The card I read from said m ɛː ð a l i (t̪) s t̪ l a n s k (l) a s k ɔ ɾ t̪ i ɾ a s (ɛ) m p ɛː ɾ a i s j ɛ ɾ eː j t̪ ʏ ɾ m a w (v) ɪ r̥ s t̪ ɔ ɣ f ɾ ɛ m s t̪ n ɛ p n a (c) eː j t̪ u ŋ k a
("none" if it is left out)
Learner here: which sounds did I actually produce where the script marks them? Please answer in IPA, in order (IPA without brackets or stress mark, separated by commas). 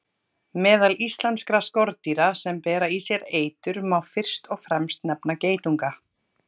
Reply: none, ɾ, ɛ, f, c